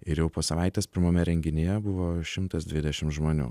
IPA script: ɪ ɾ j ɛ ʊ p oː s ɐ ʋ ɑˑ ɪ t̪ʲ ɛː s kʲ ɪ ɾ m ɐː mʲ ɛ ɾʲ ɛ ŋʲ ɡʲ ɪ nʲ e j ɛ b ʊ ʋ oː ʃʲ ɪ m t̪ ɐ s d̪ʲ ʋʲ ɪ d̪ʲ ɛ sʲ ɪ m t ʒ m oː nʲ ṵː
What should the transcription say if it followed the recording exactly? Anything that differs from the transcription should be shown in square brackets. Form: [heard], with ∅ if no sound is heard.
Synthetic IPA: ɪ ɾ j ɛ ʊ p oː s ɐ ʋ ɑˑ ɪ t̪ʲ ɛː s [pʲ] ɪ ɾ m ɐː mʲ ɛ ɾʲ ɛ ŋʲ ɡʲ ɪ nʲ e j ɛ b ʊ ʋ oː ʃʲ ɪ m t̪ ɐ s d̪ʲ ʋʲ ɪ d̪ʲ ɛ [ʃʲ] ɪ m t ʒ m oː nʲ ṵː